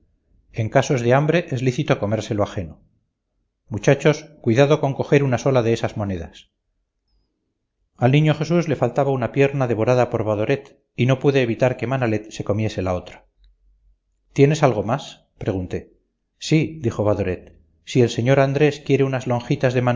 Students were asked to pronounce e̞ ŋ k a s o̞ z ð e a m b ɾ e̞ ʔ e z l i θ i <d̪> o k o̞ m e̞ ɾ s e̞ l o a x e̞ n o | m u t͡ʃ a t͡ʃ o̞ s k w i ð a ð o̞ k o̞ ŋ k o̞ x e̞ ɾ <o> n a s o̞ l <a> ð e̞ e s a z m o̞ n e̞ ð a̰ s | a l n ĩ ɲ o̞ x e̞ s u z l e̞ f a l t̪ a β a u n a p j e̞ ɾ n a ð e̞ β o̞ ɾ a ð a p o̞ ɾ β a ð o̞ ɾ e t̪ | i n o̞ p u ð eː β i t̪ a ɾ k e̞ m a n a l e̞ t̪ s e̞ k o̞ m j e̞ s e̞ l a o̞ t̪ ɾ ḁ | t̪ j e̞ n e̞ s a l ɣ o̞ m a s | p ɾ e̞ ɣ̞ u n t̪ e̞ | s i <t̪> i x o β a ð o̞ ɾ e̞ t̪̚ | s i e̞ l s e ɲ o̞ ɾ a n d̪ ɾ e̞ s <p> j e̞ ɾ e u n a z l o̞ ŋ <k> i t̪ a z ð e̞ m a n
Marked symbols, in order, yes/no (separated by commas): no, no, yes, no, no, no